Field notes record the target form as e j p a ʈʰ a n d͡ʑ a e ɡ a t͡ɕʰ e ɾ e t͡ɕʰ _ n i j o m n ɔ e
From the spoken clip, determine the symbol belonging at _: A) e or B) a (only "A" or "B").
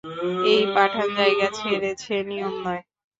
A